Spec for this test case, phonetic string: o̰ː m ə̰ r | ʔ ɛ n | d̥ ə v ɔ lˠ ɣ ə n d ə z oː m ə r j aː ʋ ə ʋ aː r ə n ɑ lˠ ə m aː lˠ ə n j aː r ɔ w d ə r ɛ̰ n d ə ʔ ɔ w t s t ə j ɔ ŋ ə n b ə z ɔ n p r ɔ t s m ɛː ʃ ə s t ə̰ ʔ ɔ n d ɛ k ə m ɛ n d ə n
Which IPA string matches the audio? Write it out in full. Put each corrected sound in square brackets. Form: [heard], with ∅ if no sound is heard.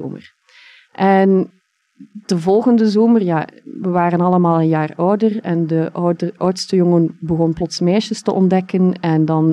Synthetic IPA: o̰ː m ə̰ r | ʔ ɛ n | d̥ ə v ɔ lˠ ɣ ə n d ə z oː m ə r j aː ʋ ə ʋ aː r ə n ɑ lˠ ə m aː lˠ ə n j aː r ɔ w d ə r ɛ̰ n d ə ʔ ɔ w t s t ə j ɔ ŋ ə n b ə [ɣ] ɔ n p [l] ɔ t s m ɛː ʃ ə s t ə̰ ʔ ɔ n d ɛ k ə [n] ɛ n d [ɑ] n